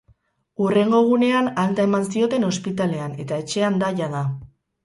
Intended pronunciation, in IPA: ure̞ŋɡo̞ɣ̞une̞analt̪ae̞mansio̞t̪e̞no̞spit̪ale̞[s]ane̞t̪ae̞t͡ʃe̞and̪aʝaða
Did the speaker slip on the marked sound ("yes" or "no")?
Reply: yes